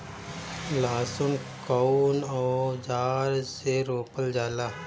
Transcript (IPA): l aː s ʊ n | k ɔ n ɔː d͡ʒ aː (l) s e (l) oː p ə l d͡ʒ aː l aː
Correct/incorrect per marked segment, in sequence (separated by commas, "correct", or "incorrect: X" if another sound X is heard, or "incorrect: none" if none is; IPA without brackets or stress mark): incorrect: ɾ, incorrect: ɾ